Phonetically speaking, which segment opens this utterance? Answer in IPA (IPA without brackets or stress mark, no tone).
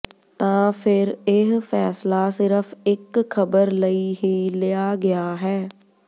t̪